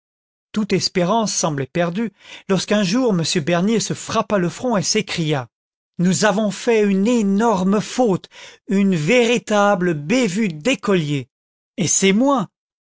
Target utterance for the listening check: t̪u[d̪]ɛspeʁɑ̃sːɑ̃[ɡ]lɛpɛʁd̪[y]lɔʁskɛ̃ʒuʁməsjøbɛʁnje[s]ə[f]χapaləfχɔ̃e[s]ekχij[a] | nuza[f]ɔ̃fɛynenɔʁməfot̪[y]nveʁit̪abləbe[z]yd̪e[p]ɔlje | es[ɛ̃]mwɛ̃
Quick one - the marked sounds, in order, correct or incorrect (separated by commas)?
incorrect, incorrect, correct, correct, correct, correct, correct, incorrect, correct, incorrect, incorrect, incorrect